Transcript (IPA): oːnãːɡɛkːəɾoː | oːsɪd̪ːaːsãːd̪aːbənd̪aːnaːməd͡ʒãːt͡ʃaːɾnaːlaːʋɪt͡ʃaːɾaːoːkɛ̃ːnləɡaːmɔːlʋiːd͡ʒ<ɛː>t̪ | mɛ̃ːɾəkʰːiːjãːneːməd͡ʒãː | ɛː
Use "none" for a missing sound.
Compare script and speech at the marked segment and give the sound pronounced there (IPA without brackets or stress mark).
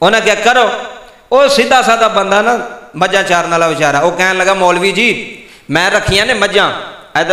iː